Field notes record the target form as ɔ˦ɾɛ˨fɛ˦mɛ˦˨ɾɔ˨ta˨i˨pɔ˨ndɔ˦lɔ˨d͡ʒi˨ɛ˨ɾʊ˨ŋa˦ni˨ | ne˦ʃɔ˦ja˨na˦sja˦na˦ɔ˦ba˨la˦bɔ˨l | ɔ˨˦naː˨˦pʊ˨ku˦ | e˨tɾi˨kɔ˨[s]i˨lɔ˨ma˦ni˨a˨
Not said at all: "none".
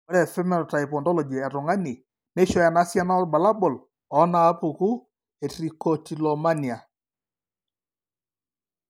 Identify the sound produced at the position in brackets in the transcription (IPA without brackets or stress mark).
t